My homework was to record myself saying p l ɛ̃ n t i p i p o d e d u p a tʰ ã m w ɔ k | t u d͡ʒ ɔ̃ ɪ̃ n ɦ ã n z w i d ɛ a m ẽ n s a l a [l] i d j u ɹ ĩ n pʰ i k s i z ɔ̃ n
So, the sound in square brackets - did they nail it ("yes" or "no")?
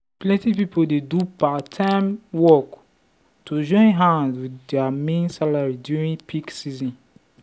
no